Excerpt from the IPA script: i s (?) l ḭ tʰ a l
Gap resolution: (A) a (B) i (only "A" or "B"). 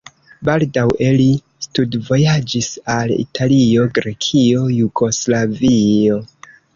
A